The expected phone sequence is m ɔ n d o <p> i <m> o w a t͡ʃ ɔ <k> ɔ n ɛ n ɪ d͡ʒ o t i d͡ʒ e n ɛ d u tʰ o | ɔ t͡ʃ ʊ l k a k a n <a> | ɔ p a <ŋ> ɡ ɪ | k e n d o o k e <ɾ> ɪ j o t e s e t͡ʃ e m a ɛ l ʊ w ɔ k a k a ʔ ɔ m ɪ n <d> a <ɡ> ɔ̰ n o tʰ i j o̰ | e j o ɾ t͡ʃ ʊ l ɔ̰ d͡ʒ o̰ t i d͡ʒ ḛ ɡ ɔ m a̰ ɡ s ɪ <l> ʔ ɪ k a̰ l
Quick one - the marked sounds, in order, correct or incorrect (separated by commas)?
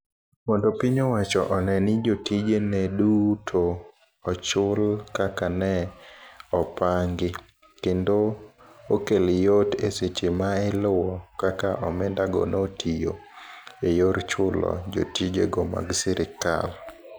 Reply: correct, incorrect, incorrect, incorrect, correct, incorrect, correct, correct, incorrect